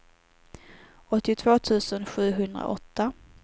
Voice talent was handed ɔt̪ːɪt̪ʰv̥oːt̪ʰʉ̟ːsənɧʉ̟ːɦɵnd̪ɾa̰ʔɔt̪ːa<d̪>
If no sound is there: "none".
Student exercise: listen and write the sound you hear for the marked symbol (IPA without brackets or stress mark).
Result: none